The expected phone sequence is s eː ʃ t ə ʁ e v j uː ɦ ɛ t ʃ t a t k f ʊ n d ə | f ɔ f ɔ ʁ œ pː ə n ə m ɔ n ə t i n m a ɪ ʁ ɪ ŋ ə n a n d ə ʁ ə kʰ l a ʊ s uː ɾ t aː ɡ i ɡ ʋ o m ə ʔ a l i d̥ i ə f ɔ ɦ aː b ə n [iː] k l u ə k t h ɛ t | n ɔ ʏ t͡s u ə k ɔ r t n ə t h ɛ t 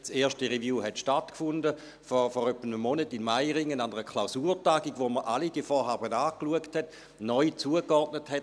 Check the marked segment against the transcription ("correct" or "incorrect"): incorrect